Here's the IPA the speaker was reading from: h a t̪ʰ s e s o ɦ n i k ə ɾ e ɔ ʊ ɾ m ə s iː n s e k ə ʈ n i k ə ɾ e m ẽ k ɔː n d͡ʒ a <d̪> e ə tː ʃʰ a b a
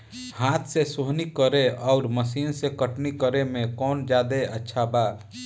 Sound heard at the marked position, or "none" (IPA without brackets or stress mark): d̪